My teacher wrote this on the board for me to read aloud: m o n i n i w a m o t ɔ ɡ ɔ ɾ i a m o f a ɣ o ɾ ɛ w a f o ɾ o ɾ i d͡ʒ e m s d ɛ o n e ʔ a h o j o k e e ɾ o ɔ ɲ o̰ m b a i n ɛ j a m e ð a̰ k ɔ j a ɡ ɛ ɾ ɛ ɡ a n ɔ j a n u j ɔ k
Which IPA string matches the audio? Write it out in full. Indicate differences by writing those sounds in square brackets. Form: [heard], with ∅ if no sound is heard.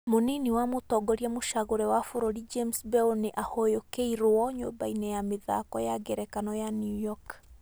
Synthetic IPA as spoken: m o n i n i w a m o t ɔ ɡ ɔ ɾ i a m o [ʃ] a ɣ o ɾ ɛ w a f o ɾ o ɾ i d͡ʒ e m s [b] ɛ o n e ʔ a h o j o k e [i] ɾ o ɔ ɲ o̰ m b a i n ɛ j a m e ð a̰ k ɔ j a ɡ ɛ ɾ ɛ [k] a n ɔ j a n u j ɔ k